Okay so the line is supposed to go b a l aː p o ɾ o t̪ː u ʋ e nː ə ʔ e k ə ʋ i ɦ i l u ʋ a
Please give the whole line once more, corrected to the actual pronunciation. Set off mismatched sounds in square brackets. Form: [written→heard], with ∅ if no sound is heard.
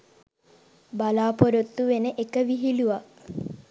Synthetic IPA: b a l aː p o ɾ o t̪ː u ʋ e [nː→n] ə ʔ e k ə ʋ i ɦ i l u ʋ a